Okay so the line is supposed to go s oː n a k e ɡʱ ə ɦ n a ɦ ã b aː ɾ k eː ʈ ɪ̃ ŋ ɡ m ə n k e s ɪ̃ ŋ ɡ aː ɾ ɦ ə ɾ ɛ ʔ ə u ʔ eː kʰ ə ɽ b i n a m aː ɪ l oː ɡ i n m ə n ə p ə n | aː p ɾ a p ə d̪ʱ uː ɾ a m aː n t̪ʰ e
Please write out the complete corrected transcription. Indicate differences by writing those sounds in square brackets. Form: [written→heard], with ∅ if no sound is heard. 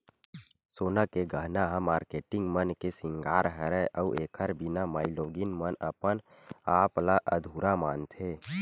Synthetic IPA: s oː n a k e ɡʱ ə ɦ n a ɦ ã [b→m] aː ɾ k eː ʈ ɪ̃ ŋ ɡ m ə n k e s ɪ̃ ŋ ɡ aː ɾ ɦ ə ɾ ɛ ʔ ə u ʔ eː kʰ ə [ɽ→ɾ] b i n a m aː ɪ l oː ɡ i n m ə n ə p ə n | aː p [ɾ→l] a [p→ʔ] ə d̪ʱ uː ɾ a m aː n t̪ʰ e